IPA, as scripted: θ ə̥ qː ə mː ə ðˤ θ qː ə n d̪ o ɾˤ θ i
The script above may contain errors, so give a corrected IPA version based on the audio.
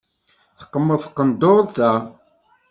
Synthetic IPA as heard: θ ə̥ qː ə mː ə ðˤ θ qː ə n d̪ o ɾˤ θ æ

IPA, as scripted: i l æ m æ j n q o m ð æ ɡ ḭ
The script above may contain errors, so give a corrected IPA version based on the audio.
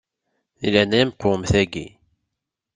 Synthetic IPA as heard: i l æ n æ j m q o m θ æ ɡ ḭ

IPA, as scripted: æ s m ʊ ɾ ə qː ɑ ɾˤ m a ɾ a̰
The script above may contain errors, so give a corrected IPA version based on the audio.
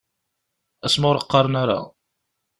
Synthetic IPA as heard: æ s m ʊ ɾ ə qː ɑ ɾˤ n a ɾ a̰

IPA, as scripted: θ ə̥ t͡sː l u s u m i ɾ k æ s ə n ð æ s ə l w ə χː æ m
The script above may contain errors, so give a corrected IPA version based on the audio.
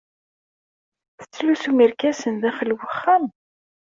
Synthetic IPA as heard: θ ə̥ t͡sː l u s u m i ɾ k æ s ə n ð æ χ ə l w ə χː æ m

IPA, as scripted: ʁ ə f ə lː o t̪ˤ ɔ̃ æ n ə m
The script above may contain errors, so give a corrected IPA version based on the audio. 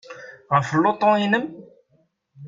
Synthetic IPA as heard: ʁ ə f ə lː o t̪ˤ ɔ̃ i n ə m

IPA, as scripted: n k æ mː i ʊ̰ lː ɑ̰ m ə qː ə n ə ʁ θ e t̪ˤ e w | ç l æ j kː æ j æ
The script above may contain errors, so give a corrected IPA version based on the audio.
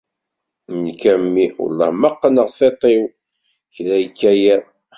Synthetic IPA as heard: n k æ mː i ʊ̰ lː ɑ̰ m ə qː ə n ə ʁ θ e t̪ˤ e w | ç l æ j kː æ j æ

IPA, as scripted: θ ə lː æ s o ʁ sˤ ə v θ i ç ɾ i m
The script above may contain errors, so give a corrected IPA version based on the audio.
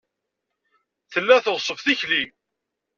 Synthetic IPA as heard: θ ə lː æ θ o ʁ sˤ ə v θ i ç l i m

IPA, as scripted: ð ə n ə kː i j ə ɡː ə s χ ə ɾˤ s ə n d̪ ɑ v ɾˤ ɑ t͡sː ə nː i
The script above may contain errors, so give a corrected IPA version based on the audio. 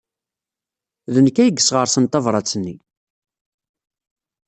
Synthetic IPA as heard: ð ə n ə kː æ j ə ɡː ə s ʁ ə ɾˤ s ə n t̪ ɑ v ɾˤ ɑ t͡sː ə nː i

